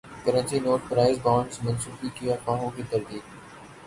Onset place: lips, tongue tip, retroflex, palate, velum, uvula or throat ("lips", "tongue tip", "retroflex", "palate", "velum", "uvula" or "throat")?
velum